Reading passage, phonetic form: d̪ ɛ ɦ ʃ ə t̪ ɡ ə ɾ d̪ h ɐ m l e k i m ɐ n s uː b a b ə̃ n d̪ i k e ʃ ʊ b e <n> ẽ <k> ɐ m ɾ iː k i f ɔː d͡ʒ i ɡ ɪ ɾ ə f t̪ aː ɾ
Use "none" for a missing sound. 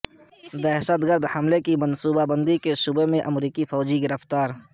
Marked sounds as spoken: m, ʔ

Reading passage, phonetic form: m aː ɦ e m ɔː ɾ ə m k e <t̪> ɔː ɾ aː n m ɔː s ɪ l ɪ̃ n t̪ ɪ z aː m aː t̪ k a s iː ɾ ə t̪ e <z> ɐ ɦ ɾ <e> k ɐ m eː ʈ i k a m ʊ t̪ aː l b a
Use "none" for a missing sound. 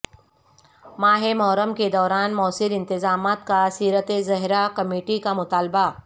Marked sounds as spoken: d̪, z, a

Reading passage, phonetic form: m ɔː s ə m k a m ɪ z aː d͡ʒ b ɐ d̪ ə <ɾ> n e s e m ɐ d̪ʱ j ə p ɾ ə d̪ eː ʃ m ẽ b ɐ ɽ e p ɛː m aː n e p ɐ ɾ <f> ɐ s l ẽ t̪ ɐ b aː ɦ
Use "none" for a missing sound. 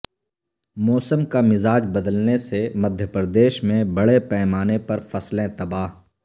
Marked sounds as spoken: l, f

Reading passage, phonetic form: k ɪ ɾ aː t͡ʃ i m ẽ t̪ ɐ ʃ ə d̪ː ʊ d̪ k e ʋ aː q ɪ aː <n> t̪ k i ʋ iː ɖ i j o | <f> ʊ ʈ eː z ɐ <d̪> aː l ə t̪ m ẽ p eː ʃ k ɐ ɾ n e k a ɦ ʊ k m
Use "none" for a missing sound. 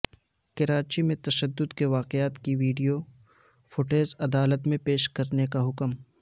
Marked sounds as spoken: none, f, d̪

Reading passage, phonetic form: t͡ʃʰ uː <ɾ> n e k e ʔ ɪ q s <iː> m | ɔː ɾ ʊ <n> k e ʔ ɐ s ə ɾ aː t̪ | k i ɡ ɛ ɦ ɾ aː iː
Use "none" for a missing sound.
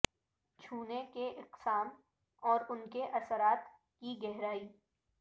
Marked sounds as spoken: none, aː, n

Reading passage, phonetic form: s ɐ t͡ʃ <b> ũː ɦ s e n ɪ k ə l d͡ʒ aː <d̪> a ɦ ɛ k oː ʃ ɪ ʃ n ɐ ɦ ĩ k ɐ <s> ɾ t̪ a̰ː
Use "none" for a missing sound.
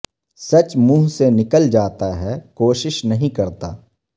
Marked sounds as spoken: m, t̪, none

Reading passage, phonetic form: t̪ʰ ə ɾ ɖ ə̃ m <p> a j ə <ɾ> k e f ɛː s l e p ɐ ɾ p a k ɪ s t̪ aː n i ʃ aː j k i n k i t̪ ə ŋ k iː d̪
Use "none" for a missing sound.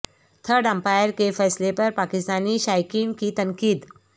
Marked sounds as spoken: p, ɾ

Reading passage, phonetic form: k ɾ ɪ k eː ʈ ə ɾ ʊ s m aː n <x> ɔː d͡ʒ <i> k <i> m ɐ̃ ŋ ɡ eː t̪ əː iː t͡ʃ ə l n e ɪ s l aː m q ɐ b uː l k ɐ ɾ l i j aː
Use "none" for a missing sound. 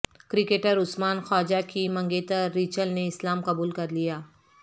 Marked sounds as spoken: x, a, i

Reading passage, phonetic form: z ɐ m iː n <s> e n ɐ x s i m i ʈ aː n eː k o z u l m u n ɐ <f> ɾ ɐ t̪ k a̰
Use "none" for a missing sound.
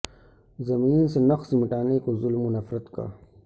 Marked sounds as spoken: s, f

